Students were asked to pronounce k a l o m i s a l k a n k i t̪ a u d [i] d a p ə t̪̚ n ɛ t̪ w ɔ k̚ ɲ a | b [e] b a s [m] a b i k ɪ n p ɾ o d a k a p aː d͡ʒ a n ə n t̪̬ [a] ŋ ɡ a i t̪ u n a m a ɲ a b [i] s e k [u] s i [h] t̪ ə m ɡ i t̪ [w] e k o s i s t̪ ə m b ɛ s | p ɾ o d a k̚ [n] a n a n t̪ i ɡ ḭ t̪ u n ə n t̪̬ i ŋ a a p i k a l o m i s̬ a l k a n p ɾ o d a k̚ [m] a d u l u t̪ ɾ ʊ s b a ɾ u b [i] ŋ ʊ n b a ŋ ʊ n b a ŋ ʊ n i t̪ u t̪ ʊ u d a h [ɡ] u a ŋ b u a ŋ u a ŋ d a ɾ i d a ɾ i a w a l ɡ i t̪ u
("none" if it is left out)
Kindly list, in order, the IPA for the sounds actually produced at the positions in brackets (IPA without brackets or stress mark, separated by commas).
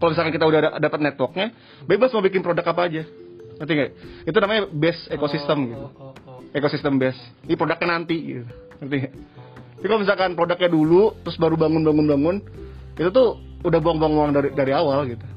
a, e, m, i, ɛ, o, s, u, ɲ, ɲ, a, b